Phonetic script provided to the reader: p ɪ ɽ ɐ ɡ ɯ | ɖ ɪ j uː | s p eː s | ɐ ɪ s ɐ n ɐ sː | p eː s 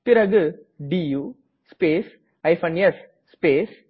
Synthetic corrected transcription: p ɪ ɾ ɐ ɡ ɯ | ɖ i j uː | s p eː s | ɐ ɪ f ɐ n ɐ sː | p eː s